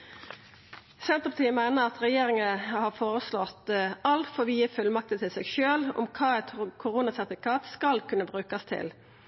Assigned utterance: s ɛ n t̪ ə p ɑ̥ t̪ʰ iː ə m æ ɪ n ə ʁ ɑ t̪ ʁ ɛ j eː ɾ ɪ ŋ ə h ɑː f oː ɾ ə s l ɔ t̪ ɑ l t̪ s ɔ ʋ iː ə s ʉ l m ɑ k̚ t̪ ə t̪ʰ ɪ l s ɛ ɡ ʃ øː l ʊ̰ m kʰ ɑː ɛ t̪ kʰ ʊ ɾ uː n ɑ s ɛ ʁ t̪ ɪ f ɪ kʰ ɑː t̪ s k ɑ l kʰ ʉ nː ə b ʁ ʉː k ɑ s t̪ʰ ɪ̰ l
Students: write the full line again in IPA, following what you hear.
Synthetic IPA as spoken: s ɛ n t̪ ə p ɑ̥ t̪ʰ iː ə m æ ɪ n ə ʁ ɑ t̪ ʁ ɛ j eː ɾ ɪ ŋ ə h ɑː f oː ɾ ə s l ɔ t̪ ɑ l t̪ f ɔ ʋ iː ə f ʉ l m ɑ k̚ t̪ ə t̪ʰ ɪ l s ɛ ɡ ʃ øː l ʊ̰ m kʰ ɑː ɛ t̪ kʰ ʊ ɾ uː n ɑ s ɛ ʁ t̪ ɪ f ɪ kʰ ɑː t̪ s k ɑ l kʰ ʉ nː ə b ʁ ʉː k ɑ s t̪ʰ ɪ̰ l